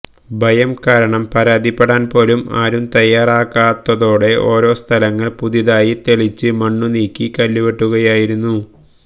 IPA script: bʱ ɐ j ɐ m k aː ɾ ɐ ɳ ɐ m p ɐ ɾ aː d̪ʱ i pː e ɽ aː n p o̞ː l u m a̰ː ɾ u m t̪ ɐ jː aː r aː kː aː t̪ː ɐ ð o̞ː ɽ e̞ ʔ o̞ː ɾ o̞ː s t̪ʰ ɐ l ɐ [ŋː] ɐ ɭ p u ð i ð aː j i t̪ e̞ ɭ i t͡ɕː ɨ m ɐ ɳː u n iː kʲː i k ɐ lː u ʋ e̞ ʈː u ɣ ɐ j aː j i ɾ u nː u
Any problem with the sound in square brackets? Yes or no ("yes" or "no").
no